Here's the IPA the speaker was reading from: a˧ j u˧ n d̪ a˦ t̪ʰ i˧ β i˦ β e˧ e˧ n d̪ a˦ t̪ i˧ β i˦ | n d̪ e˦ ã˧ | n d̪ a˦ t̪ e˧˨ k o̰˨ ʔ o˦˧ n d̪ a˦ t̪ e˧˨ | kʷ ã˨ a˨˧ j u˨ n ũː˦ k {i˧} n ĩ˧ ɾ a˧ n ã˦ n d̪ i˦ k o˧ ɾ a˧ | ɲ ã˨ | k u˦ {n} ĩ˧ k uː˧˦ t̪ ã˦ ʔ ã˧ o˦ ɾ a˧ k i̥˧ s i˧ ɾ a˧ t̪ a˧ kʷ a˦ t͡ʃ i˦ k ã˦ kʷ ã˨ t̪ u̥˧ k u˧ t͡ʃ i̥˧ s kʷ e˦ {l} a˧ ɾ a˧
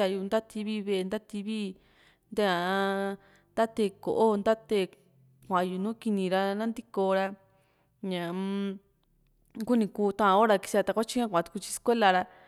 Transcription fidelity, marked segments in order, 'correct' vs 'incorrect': correct, correct, correct

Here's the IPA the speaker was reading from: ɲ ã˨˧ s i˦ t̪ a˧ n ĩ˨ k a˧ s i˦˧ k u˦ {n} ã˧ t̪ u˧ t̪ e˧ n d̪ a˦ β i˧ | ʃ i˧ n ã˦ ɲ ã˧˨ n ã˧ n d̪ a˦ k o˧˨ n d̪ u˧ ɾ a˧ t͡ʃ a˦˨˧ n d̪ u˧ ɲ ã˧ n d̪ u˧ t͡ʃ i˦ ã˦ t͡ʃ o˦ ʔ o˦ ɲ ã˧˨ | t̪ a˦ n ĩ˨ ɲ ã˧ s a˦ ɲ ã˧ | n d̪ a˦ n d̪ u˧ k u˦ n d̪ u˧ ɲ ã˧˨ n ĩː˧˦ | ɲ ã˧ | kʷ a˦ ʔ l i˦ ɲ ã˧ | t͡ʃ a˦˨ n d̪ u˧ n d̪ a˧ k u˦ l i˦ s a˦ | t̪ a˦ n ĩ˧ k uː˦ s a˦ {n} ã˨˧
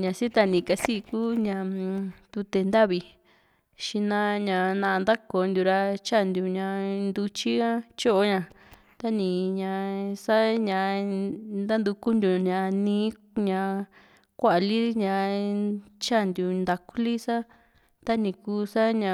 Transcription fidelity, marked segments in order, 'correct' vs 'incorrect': incorrect: ɲ, incorrect: ɲ

